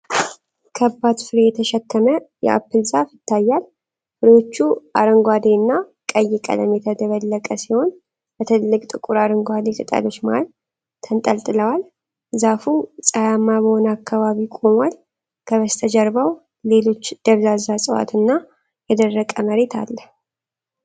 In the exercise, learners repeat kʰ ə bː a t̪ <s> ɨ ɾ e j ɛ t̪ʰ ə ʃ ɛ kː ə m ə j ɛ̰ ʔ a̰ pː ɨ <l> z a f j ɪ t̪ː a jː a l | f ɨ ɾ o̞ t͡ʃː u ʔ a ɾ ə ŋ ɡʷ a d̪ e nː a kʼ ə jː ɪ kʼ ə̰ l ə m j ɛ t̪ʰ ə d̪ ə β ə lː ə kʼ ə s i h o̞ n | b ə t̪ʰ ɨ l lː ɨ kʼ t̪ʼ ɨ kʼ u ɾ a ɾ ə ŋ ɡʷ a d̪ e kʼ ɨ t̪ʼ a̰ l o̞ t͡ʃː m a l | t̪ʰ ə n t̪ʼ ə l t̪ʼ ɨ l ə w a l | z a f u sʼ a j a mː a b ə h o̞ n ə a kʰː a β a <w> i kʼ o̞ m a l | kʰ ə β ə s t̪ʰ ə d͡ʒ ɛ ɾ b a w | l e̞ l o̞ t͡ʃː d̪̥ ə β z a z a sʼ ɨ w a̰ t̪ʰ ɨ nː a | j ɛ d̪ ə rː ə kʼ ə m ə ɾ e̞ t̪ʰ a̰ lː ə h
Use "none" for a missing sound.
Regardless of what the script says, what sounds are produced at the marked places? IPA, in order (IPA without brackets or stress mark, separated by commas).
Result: f, l, β